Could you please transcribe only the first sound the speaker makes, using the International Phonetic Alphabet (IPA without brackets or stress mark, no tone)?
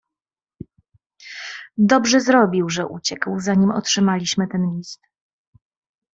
d̪